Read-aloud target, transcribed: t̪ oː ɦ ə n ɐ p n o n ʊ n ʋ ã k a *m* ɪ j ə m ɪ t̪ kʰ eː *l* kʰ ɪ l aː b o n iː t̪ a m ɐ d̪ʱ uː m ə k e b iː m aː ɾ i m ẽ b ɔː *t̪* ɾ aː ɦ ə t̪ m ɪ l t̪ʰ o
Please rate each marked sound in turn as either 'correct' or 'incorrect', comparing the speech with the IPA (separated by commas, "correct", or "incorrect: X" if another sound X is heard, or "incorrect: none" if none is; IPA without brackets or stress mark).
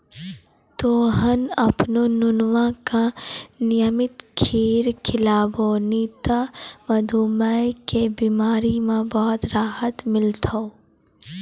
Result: incorrect: n, incorrect: ɾ, correct